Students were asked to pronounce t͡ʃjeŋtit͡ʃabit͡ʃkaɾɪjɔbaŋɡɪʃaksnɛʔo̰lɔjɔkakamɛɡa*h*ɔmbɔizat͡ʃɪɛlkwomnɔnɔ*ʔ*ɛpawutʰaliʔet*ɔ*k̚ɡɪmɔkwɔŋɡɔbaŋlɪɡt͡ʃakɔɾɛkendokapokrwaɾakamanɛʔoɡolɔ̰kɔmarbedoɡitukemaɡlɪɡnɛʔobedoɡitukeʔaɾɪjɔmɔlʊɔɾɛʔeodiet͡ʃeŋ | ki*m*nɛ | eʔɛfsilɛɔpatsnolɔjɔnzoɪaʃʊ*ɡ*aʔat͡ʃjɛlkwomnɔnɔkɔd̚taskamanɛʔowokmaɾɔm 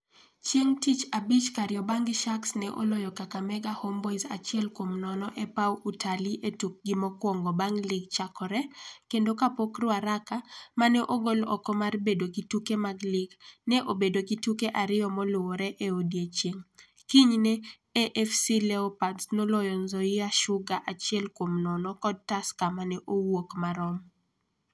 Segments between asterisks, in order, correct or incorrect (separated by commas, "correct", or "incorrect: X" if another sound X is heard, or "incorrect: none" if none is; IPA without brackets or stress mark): correct, correct, incorrect: u, incorrect: ɲ, correct